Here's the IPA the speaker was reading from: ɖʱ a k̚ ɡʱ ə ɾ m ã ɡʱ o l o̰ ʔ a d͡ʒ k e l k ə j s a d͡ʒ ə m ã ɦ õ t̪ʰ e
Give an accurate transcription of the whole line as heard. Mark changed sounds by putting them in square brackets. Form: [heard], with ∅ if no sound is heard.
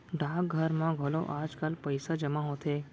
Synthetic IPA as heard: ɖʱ a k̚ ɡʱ ə ɾ m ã ɡʱ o l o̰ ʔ a d͡ʒ k [a] l [p] ə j s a d͡ʒ ə m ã ɦ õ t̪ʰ e